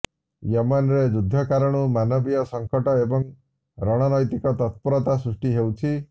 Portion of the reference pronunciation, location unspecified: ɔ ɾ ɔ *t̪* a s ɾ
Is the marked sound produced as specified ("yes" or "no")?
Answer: yes